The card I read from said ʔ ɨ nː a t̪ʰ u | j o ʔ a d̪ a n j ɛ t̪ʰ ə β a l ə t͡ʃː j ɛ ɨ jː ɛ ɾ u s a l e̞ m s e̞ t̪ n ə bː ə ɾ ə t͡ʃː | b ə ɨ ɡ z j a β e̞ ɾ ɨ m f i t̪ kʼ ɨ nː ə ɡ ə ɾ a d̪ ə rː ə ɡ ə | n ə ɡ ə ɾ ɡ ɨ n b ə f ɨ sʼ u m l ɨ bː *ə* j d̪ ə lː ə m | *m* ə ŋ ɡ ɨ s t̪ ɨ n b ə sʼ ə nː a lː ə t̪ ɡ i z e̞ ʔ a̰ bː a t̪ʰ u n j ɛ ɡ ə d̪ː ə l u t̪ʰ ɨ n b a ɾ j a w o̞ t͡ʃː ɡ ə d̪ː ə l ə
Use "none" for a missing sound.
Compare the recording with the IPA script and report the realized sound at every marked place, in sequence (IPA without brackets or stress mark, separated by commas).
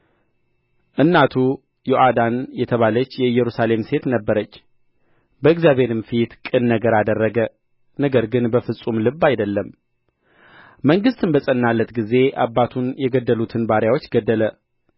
a, m